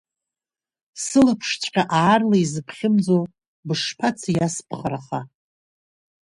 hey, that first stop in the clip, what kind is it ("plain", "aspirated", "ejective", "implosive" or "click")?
aspirated